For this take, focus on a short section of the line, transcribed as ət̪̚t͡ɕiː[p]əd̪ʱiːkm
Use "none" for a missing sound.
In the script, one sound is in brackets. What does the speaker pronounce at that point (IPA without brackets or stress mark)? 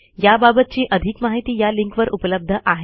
ʔ